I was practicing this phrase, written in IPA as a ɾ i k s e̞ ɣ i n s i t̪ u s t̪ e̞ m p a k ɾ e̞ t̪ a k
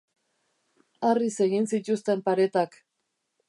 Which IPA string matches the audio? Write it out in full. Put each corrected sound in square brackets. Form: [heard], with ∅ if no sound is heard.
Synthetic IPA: a [r] i [∅] s e̞ ɣ i n s i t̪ u s t̪ e̞ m p a [∅] ɾ e̞ t̪ a k